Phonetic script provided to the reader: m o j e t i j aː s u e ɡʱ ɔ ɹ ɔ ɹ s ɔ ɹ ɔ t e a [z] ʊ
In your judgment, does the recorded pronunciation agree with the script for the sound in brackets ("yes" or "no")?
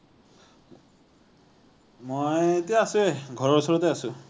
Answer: no